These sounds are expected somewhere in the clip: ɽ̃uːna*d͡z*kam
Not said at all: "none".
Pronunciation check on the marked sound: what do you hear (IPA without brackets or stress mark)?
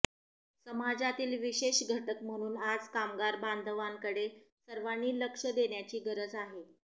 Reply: d͡z